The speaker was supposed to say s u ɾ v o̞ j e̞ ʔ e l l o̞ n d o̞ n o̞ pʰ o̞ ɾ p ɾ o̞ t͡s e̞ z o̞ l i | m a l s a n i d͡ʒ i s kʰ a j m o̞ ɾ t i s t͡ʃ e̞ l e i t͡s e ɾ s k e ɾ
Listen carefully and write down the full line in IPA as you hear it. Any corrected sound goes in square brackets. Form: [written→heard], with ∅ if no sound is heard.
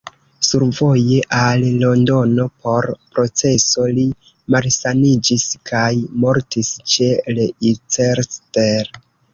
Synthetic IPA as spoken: s u ɾ v o̞ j e̞ ʔ [e→a] l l o̞ n d o̞ n o̞ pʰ o̞ ɾ p ɾ o̞ t͡s e̞ [z→s] o̞ l i | m a l s a n i d͡ʒ i s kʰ a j m o̞ ɾ t i s t͡ʃ e̞ l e i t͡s e ɾ s [k→t] e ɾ